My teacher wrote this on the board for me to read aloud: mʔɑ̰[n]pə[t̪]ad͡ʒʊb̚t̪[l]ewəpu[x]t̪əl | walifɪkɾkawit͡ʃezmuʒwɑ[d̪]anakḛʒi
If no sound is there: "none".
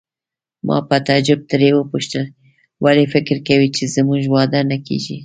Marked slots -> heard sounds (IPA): none, t̪, ɾ, ʃ, d̪

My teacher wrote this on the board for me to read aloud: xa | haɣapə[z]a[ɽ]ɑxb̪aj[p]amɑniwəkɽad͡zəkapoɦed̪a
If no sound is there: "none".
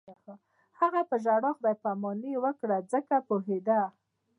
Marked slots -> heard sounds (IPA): ʒ, ɽ, p

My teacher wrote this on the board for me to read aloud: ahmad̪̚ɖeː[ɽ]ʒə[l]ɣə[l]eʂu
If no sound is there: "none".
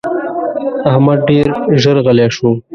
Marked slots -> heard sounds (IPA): ɾ, ɾ, l

